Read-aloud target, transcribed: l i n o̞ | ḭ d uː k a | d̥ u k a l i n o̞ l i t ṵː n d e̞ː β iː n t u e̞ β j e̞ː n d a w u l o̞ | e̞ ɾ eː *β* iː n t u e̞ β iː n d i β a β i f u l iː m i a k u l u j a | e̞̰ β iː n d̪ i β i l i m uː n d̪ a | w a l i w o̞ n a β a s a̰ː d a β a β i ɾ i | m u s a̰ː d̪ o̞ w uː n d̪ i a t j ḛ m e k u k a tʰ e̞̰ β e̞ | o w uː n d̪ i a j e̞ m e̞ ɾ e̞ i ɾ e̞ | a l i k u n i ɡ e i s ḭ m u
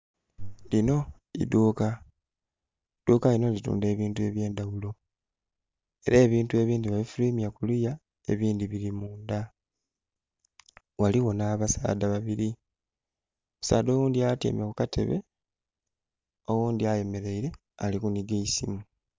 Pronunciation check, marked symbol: correct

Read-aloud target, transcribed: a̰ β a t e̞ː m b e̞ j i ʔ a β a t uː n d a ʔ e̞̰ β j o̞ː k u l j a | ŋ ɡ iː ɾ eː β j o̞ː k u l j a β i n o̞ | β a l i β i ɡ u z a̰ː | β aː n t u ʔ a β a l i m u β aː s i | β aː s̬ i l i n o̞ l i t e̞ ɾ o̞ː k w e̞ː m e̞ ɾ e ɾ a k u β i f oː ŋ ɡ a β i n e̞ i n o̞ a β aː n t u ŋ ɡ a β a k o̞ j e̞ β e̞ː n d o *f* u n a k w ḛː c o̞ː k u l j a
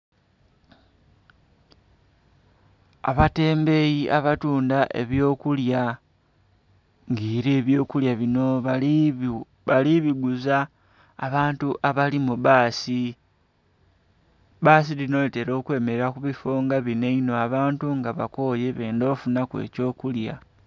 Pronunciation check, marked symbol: correct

